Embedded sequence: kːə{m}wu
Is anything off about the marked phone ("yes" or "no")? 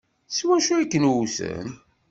yes